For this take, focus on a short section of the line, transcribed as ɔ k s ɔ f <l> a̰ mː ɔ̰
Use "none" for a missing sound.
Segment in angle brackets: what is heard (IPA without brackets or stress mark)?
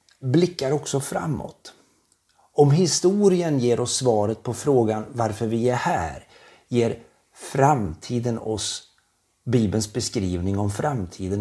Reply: ɾ